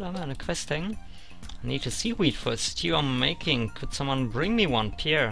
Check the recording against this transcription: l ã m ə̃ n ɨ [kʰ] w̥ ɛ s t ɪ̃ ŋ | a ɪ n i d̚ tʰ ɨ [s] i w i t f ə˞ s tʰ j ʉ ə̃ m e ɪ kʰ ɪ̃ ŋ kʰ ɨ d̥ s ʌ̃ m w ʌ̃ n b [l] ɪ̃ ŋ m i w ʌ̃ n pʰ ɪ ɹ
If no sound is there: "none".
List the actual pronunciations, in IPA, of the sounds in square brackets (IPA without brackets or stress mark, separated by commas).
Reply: kʰ, s, ɹ